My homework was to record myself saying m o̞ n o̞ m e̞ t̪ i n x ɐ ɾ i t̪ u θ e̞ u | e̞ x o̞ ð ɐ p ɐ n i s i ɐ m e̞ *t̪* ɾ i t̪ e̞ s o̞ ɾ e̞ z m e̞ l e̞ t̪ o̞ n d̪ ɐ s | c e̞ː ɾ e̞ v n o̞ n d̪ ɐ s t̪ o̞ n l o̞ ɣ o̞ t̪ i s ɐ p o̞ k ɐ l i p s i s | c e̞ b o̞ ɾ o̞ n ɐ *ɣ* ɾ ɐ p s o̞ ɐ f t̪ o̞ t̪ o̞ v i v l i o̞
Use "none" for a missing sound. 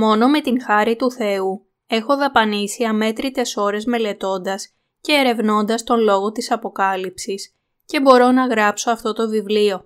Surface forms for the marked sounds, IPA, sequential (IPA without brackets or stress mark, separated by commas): t̪, ɣ